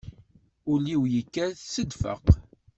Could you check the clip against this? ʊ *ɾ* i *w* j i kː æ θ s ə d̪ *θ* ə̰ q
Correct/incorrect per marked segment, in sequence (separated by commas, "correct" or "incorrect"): incorrect, correct, incorrect